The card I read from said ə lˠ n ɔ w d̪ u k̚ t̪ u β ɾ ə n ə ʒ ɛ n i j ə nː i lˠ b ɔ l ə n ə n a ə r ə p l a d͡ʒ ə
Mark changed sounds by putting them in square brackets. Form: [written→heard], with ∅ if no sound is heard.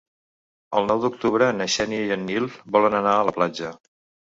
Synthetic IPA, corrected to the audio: ə lˠ n ɔ w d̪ u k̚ t̪ u β ɾ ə n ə [ʒ→ʃ] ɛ n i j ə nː i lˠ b ɔ l ə n ə n a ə [r→l] ə p l a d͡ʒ ə

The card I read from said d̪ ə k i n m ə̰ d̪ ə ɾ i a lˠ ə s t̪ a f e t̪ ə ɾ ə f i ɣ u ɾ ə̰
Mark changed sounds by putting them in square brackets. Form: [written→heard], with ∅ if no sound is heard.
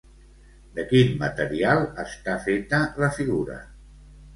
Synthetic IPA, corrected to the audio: d̪ ə k i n m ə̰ [d̪→t̪] ə ɾ i a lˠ ə s t̪ a f e t̪ ə [ɾ→l] ə f i ɣ u ɾ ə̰

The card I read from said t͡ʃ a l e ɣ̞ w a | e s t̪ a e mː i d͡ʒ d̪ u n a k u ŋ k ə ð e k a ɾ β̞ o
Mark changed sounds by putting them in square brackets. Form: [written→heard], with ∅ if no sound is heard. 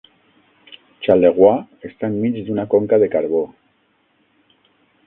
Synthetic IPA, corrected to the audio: t͡ʃ a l e ɣ̞ w a | e s t̪ a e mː i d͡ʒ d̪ u n a k [u→o] ŋ k [ə→a] ð e k a ɾ β̞ o

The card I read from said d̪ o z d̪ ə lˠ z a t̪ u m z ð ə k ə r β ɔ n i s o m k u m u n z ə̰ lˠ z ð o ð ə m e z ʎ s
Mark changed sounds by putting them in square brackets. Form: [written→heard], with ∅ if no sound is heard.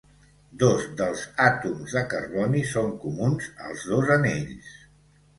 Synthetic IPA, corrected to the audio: d̪ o z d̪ ə lˠ z a t̪ u m z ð ə k ə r β ɔ n i s o [m→ŋ] k u m u n z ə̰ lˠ z ð o [ð→z] ə [m→n] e [z→∅] ʎ s

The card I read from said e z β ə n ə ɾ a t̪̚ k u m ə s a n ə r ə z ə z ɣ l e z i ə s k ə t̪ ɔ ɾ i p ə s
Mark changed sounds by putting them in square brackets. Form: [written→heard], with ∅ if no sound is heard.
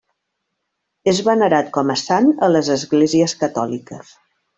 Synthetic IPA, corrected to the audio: e z β ə n ə ɾ a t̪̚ k [u→ɔ] m ə s a n ə [r→l] ə z ə z ɣ l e z i ə s k ə t̪ ɔ [ɾ→l] i [p→k] ə s

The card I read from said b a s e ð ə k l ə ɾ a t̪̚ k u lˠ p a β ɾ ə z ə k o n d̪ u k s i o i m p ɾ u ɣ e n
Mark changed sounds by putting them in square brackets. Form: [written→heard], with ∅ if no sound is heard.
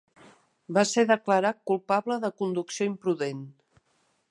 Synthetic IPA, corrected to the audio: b a s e ð ə k l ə ɾ a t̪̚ k u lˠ p a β [ɾ→l] ə [z→ð] ə k [o→u] n d̪ u k s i o i m p ɾ u [ɣ→ð] e n

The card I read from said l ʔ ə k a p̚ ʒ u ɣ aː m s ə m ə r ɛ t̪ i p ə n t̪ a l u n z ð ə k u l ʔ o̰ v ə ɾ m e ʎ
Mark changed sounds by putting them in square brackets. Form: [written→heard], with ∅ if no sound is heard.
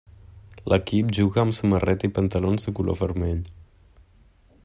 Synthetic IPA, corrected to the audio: l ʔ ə k [a→i] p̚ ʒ u ɣ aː m s ə m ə r ɛ t̪ i p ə n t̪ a l [u→o] n z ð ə k u l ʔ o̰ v ə ɾ m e ʎ

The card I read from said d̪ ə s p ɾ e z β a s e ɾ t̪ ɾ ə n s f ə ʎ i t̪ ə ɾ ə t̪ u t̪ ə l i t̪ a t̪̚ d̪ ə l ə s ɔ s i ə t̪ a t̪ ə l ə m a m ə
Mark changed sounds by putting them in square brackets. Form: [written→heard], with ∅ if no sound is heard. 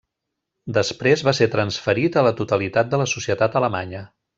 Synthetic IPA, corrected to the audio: d̪ ə s p ɾ e z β a s e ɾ t̪ ɾ ə n s f ə [ʎ→ɾ] i t̪ ə [ɾ→l] ə t̪ u t̪ ə l i t̪ a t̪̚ d̪ ə l ə s [ɔ→u] s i ə t̪ a t̪ ə l ə m a [m→ɲ] ə

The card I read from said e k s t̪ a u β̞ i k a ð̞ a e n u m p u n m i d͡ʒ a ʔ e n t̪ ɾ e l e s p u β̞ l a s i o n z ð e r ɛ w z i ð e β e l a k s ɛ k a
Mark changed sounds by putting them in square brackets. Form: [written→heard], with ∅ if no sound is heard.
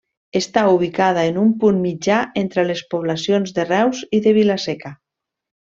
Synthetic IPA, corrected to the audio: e [k→∅] s t̪ a u β̞ i k a ð̞ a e n u m p u n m i d͡ʒ a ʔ e n t̪ ɾ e l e s p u β̞ l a s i o n z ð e r ɛ w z i ð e β [e→i] l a [k→∅] s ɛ k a

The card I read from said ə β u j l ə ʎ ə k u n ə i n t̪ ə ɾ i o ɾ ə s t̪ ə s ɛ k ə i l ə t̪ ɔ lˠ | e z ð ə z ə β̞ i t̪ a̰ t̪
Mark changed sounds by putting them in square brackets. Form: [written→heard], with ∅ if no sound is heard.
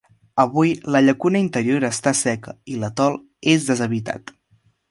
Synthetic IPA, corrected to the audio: ə β u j l ə ʎ ə k u n ə i n t̪ ə ɾ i o ɾ ə s t̪ [ə→a] s ɛ k ə i l ə t̪ ɔ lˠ | e z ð ə z ə β̞ i t̪ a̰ t̪

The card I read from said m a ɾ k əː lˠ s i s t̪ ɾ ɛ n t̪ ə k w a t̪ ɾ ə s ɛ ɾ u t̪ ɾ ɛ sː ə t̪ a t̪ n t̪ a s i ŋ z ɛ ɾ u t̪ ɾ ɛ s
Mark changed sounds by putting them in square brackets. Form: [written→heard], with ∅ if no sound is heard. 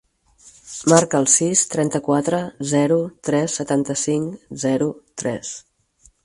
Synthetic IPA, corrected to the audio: m a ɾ k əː lˠ s i s t̪ ɾ ɛ n t̪ ə k w a t̪ ɾ ə [s→z] ɛ ɾ u t̪ ɾ ɛ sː ə t̪ a [t̪→∅] n t̪ [a→ə] s i ŋ z ɛ ɾ u t̪ ɾ ɛ s

